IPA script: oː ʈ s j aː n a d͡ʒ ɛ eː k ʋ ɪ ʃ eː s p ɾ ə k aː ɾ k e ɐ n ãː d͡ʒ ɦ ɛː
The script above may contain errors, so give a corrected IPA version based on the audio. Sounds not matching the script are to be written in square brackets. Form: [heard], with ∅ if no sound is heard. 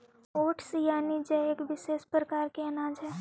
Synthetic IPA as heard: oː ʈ s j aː n [i] d͡ʒ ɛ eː k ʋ ɪ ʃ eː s p ɾ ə k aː ɾ k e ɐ n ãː d͡ʒ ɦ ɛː